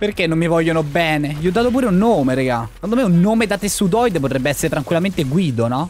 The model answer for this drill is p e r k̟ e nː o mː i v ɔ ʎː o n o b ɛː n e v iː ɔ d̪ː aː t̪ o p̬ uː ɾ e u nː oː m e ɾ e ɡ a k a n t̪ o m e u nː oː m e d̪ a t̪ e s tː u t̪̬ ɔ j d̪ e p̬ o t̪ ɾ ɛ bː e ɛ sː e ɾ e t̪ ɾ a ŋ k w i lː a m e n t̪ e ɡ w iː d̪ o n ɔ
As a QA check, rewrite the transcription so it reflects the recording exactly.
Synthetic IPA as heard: p e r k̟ e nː o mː i v ɔ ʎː o n o b ɛː n e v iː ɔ d̪ː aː t̪ o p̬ uː ɾ e u nː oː m e ɾ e ɡ a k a n d̪ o m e u nː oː m e d̪ a t̪ e s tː u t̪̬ ɔ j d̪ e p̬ o t̪ ɾ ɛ bː e ɛ sː e ɾ e t̪ ɾ a ŋ k w i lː a m e n t̪ e ɡ w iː d̪ o n ɔ